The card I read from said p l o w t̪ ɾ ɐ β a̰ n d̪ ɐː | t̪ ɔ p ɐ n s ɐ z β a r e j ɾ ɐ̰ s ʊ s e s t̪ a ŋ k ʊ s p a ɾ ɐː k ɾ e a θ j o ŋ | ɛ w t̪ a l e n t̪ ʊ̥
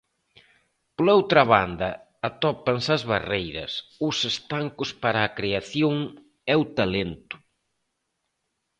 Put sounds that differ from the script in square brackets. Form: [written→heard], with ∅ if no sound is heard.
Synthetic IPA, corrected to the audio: p l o w t̪ ɾ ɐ β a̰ n d̪ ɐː | t̪ ɔ p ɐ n s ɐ z β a r e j ɾ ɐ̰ s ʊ s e s t̪ a ŋ k ʊ s p a ɾ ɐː k ɾ e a θ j o ŋ | ɛ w t̪ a l e n t̪ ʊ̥

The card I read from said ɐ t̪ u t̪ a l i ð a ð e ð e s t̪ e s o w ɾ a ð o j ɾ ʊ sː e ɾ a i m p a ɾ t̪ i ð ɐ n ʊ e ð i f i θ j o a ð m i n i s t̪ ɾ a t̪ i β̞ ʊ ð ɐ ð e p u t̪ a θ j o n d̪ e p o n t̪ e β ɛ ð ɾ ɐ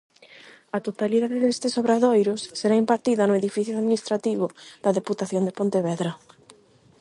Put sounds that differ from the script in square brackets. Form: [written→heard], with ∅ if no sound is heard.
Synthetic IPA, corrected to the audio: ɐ t̪ [u→o] t̪ a l i ð a ð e ð e s t̪ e s o [w→β] ɾ a ð o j ɾ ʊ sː e ɾ a i m p a ɾ t̪ i ð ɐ n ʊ e ð i f i θ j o a ð m i n i s t̪ ɾ a t̪ i β̞ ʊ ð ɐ ð e p u t̪ a θ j o n d̪ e p o n t̪ e β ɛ ð ɾ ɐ

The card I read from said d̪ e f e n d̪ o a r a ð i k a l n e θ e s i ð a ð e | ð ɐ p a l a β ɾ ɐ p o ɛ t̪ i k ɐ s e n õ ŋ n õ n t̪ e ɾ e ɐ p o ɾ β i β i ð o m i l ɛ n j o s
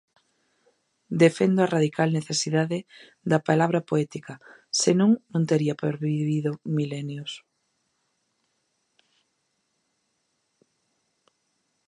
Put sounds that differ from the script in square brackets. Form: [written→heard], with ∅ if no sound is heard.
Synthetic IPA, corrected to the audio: d̪ e f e n d̪ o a r a ð i k a l n e θ e s i ð a ð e | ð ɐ p a l a β ɾ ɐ p o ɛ t̪ i k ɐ s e n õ ŋ n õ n t̪ e ɾ [e→i] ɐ p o ɾ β i β i ð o m i l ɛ n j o s

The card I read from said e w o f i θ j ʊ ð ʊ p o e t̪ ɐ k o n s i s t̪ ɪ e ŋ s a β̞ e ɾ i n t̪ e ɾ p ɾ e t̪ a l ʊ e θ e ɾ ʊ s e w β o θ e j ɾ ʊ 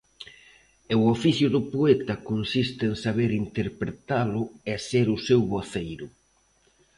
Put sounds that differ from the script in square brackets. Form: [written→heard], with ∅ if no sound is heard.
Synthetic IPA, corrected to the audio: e w o f i θ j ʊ ð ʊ p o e t̪ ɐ k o n s i s t̪ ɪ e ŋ s a β̞ e ɾ i n t̪ e ɾ p ɾ e t̪ a l ʊ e [θ→s] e ɾ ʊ s e w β o θ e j ɾ ʊ

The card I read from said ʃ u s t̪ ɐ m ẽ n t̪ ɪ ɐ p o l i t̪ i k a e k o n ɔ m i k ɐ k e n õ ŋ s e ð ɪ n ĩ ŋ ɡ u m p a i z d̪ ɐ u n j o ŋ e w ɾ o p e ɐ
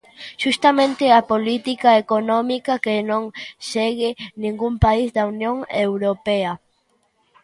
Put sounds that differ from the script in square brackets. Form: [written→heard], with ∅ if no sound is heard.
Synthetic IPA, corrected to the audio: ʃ u s t̪ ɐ m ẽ n t̪ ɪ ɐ p o l i t̪ i k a e k o n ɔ m i k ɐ k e n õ ŋ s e [ð→ɣ] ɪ n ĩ ŋ ɡ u m p a i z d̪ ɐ u n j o ŋ e w ɾ o p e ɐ

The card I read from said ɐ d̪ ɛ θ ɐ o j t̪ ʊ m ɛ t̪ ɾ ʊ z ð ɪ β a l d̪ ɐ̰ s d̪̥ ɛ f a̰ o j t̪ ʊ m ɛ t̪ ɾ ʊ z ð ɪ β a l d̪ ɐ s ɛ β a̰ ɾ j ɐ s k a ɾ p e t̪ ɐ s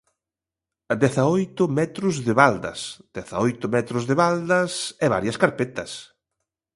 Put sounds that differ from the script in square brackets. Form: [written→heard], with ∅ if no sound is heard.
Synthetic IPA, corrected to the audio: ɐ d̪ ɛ θ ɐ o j t̪ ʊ m ɛ t̪ ɾ ʊ z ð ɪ β a l d̪ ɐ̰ s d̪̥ ɛ [f→θ] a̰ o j t̪ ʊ m ɛ t̪ ɾ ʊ z ð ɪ β a l d̪ ɐ s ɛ β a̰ ɾ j ɐ s k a ɾ p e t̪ ɐ s

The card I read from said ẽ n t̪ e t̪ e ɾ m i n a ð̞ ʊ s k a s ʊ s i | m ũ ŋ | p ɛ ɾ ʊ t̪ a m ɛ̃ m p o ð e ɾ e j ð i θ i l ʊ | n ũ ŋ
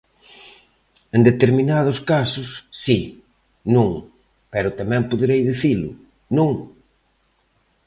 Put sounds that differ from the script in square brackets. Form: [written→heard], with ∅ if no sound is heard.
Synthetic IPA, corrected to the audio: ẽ n [t̪→d̪] e t̪ e ɾ m i n a ð̞ ʊ s k a s ʊ [s→sː] i | [m→n] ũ ŋ | p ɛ ɾ ʊ t̪ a m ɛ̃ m p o ð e ɾ e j ð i θ i l ʊ | n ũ ŋ

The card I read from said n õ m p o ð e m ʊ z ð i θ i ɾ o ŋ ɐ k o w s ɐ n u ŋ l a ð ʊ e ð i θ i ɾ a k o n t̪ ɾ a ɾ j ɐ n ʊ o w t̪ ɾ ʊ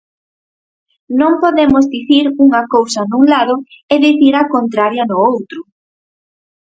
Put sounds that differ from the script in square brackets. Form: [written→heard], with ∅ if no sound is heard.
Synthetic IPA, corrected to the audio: n õ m p o ð e m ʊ z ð i θ i ɾ [o→u] ŋ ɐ k o w s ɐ n u ŋ l a ð ʊ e ð i θ i ɾ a k o n t̪ ɾ a ɾ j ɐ n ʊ o w t̪ ɾ ʊ

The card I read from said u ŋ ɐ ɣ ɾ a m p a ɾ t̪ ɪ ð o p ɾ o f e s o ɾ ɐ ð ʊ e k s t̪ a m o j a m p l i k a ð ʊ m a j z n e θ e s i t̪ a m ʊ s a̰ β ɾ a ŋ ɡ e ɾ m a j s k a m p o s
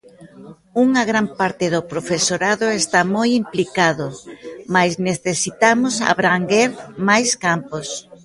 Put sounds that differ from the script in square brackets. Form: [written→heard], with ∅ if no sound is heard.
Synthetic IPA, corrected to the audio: u ŋ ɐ ɣ ɾ a m p a ɾ t̪ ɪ ð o p ɾ o f e s o ɾ [ɐ→a] ð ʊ e [k→∅] s t̪ a m o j [a→i] m p l i k a ð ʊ m a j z n e θ e s i t̪ a m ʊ s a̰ β ɾ a ŋ ɡ e ɾ m a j s k a m p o s

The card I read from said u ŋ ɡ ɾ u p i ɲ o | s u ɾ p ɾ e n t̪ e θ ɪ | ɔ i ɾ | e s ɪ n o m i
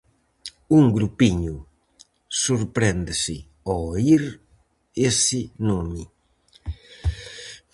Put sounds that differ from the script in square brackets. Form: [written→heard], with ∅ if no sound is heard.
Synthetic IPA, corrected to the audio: u ŋ ɡ ɾ u p i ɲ [o→u] | s u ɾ p ɾ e n [t̪→d̪] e [θ→s] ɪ | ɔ i ɾ | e s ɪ n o m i

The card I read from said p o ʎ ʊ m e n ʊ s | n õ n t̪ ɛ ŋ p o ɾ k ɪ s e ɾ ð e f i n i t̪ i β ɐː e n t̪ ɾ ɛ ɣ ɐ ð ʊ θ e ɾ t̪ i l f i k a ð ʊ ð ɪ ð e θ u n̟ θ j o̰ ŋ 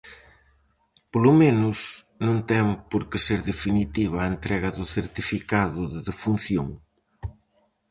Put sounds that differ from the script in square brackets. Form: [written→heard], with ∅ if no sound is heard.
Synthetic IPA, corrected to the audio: p o [ʎ→l] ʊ m e n ʊ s | n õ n t̪ ɛ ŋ p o ɾ k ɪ s e ɾ ð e f i n i t̪ i β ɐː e n t̪ ɾ ɛ ɣ ɐ ð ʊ θ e ɾ t̪ i [l→∅] f i k a ð ʊ ð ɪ ð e [θ→f] u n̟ θ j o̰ ŋ

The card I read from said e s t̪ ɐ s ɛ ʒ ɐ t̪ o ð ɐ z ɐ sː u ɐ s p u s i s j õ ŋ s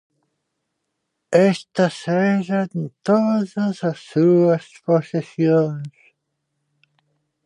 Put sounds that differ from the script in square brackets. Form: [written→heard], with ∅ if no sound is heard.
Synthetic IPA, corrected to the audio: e s t̪ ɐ s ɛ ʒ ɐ t̪ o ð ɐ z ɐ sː u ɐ s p [u→o] s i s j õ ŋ s

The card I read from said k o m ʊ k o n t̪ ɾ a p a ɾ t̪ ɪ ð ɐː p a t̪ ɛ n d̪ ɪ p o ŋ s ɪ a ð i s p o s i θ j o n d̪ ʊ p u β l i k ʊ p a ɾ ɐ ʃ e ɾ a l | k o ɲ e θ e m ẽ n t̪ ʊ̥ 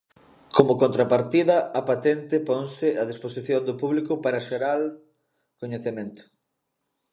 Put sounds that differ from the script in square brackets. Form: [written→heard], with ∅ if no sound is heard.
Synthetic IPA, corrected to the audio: k o m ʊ k o n t̪ ɾ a p a ɾ t̪ [ɪ→i] ð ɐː p a t̪ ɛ n [d̪→t̪] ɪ p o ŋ s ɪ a ð i s p o s i θ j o n d̪ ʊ p u β l i k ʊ p a ɾ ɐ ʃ e ɾ a l | k o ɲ e θ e m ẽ n t̪ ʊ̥

